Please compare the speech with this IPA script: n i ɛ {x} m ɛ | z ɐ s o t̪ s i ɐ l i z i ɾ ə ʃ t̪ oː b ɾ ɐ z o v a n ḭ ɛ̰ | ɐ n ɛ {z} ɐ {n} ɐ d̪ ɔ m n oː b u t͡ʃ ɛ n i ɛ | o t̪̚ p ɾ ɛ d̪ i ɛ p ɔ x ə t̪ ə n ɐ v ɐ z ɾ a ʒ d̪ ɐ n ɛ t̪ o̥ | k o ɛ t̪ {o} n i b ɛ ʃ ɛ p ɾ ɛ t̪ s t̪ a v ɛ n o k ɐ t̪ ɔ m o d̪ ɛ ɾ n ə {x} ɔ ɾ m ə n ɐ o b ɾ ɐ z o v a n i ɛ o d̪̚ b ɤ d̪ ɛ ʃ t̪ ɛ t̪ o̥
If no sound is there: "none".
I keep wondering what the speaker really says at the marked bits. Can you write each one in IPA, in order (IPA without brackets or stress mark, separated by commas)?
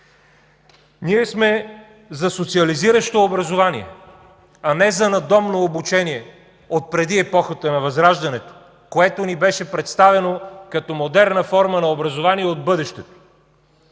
s, z, n, o, f